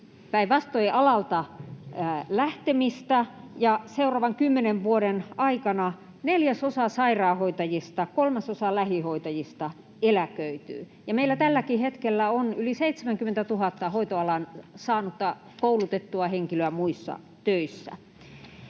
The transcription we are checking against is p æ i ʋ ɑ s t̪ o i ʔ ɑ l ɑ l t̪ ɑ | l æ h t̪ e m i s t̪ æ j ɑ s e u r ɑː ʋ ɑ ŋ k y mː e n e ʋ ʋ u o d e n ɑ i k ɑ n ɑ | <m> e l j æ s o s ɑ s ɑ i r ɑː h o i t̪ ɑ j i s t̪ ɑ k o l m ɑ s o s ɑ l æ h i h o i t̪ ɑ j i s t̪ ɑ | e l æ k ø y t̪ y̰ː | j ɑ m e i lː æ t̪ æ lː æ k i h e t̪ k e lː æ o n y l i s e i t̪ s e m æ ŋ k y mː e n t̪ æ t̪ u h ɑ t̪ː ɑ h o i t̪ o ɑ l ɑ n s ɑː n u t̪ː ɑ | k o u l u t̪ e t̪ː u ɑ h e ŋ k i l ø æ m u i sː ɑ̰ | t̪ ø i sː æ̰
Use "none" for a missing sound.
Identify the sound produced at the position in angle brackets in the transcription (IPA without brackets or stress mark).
n